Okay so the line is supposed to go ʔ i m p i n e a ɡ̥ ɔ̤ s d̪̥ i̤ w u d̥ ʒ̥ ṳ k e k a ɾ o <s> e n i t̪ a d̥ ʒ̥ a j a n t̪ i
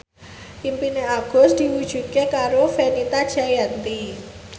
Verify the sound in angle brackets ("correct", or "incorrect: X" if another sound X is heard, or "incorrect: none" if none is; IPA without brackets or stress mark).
incorrect: f